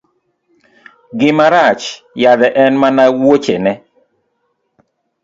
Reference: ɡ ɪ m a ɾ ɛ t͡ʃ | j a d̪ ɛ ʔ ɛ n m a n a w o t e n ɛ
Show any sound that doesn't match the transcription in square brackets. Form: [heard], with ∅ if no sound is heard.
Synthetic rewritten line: ɡ ɪ m a ɾ [a] t͡ʃ | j a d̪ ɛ ʔ ɛ n m a n a w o [t͡ʃ] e n ɛ

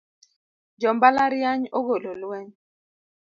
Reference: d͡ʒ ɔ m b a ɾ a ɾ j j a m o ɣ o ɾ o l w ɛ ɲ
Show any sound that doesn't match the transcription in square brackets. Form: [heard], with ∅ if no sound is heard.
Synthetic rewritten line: d͡ʒ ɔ m b a [l] a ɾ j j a [ɲ] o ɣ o [l] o l w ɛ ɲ

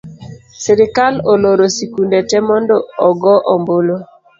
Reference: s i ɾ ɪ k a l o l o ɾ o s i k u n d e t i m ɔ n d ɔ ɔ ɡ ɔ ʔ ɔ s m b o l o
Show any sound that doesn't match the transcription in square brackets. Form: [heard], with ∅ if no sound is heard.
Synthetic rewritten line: s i ɾ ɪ k a l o l o ɾ o s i k u n d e t [ɛ] m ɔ n d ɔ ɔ ɡ ɔ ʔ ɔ [∅] m b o l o

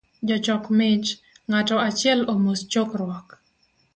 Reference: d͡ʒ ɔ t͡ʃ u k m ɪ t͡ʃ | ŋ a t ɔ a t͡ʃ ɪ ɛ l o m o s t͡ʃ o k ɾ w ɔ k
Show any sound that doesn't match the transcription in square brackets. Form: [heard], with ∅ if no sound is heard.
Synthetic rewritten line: d͡ʒ ɔ t͡ʃ [ɔ] k m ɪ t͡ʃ | ŋ a t ɔ a t͡ʃ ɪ ɛ l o m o s t͡ʃ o k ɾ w ɔ k

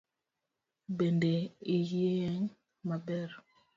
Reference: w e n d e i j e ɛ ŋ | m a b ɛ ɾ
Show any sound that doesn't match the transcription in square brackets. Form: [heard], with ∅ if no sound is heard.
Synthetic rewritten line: [b] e n d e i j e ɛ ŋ | m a b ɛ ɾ

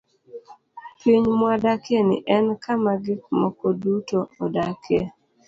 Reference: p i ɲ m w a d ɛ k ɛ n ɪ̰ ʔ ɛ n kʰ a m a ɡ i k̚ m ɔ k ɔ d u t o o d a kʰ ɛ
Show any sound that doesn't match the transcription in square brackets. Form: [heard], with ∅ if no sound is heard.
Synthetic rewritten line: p i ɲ m w a d [a] k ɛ n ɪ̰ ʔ ɛ n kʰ a m a ɡ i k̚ m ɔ k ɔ d u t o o d a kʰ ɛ

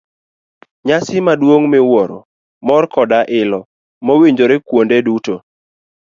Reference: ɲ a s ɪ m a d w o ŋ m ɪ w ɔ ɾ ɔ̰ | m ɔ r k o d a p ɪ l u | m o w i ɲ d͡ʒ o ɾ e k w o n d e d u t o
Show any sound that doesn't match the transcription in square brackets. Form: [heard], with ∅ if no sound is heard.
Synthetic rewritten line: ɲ a s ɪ m a d w o ŋ m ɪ w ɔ ɾ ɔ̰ | m ɔ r k [ɔ] d a [ʔ] ɪ l [ɔ] | m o w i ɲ d͡ʒ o ɾ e k w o n d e d u t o

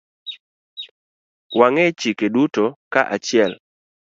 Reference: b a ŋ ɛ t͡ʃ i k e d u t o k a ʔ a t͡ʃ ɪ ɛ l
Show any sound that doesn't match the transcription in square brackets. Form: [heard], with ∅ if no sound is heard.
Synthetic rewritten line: [w] a ŋ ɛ t͡ʃ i k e d u t o k a ʔ a t͡ʃ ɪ ɛ l

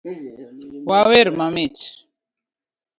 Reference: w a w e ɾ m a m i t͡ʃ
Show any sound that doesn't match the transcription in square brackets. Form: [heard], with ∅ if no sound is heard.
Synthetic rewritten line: w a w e ɾ m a m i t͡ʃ

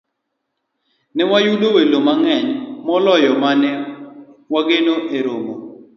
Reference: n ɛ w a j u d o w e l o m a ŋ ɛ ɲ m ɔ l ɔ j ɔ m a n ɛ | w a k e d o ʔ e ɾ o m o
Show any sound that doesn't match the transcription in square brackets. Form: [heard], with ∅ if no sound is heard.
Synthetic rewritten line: n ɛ w a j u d o w e l o m a ŋ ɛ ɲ m ɔ l ɔ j ɔ m a n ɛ | w a [ɡ] e [n] o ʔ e ɾ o m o

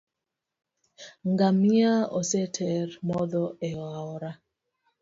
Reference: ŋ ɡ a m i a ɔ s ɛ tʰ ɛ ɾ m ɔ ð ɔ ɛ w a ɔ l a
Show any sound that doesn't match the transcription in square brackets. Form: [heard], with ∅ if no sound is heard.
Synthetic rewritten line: ŋ ɡ a m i a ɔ s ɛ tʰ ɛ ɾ m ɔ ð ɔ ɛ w a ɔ [ɾ] a

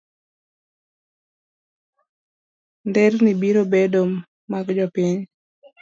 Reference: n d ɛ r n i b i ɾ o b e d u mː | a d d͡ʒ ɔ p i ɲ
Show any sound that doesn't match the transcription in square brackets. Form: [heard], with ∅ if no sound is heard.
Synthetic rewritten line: n d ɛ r n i b i ɾ o b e d [o] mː | a [ɡ] d͡ʒ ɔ p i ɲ

